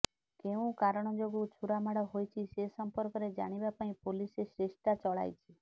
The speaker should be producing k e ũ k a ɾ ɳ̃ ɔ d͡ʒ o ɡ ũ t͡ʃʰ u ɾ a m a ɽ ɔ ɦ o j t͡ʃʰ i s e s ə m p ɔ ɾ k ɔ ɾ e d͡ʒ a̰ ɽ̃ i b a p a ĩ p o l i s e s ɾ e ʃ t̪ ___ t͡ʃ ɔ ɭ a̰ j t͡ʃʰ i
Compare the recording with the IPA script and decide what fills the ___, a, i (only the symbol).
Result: a